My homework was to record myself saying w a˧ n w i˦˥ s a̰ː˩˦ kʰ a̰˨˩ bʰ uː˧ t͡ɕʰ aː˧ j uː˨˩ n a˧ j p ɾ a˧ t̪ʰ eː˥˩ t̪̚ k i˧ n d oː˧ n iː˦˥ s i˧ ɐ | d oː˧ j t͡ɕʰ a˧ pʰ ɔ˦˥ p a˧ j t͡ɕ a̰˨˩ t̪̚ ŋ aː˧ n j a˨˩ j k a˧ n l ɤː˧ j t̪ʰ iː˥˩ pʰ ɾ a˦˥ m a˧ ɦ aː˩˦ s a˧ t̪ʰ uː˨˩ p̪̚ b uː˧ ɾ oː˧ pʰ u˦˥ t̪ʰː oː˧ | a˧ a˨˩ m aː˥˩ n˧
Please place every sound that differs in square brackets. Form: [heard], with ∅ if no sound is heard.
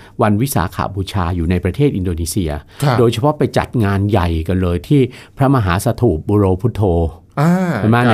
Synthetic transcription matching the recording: w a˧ n w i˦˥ s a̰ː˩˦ kʰ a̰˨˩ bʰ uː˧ t͡ɕʰ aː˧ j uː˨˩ n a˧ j p ɾ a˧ t̪ʰ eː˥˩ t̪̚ [ʔ] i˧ n d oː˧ n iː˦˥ s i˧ ɐ | d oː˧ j t͡ɕʰ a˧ pʰ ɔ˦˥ p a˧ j t͡ɕ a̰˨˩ t̪̚ ŋ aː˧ n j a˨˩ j k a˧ n l ɤː˧ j t̪ʰ iː˥˩ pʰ ɾ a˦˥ m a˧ ɦ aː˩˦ s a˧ t̪ʰ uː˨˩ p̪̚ b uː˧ ɾ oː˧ pʰ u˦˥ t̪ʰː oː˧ | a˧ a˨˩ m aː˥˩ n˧